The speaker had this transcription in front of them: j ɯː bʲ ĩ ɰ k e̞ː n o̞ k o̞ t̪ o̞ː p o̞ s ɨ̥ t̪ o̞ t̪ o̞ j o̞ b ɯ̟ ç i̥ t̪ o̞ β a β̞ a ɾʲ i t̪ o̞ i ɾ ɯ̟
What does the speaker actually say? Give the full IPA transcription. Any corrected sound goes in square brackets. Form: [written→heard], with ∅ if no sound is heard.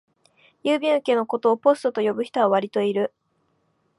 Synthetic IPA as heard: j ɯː bʲ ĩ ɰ k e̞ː n o̞ k o̞ t̪ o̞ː p o̞ s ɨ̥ t̪ o̞ t̪ o̞ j o̞ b ɯ̟ ç i̥ t̪ o̞ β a β̞ a ɾʲ i t̪ o̞ i ɾ ɯ̟